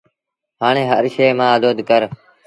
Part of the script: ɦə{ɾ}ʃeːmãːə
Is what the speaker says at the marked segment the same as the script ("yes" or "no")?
yes